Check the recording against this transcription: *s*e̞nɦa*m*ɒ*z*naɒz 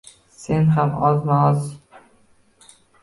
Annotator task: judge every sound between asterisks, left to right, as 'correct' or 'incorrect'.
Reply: correct, correct, correct

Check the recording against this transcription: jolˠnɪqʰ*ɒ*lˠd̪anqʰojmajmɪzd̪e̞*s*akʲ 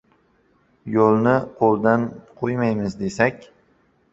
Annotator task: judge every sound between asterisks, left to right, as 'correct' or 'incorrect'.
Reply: incorrect: o, correct

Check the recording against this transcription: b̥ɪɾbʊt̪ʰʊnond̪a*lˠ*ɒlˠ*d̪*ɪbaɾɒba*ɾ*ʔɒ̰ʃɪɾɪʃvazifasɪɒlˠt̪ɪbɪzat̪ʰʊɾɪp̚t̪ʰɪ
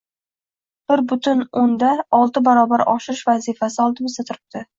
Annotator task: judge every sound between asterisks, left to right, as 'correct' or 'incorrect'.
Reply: incorrect: none, incorrect: t̪, correct

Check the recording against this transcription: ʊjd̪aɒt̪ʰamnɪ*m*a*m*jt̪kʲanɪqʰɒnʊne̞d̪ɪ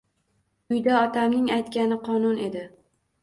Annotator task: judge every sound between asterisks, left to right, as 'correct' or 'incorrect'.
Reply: incorrect: ŋ, incorrect: none

